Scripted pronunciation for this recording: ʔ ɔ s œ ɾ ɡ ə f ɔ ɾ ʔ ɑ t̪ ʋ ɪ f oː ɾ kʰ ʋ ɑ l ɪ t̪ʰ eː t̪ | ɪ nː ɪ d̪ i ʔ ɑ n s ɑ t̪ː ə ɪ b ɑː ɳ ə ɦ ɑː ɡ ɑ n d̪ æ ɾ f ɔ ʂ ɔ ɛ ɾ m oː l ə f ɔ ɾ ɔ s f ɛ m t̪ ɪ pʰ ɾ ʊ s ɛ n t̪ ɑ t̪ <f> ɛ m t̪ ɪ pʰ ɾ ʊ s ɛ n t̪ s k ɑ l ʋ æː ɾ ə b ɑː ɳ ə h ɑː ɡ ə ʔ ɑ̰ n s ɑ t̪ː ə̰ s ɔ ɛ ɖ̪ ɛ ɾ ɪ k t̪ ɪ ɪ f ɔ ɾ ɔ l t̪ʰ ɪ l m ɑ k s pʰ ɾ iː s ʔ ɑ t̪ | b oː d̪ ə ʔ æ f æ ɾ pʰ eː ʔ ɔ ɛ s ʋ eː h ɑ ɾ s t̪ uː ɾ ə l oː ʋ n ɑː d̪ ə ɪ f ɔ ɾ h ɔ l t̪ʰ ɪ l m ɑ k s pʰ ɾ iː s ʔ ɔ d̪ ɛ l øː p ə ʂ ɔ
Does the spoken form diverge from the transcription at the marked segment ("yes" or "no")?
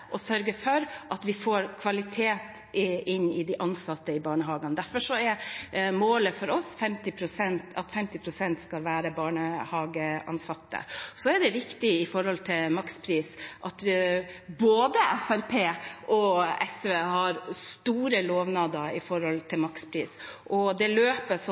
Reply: no